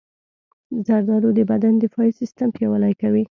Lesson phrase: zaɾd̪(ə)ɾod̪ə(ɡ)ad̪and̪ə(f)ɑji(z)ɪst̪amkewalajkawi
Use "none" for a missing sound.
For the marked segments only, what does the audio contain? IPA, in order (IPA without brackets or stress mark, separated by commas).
ɑ, b, f, s